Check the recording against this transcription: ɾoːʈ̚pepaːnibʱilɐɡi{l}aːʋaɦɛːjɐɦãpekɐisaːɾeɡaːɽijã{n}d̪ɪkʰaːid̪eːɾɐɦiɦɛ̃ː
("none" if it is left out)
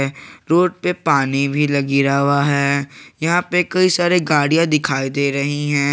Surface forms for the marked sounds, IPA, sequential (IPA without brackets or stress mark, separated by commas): ɾ, none